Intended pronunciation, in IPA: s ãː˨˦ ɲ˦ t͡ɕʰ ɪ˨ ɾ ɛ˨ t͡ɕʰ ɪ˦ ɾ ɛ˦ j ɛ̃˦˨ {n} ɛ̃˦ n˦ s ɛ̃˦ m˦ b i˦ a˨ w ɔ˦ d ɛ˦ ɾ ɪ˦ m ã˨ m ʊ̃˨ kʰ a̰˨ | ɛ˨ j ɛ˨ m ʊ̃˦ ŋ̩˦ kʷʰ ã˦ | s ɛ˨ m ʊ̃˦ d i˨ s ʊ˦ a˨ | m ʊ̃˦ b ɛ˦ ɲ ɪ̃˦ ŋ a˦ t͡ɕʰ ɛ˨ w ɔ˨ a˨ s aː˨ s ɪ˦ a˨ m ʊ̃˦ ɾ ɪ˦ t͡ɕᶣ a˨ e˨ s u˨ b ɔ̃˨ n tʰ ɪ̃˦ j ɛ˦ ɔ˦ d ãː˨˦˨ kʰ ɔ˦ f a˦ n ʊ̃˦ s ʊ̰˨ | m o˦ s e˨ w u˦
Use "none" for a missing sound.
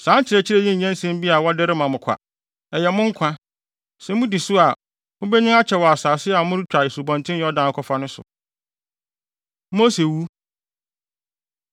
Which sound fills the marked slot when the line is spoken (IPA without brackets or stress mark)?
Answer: ɲ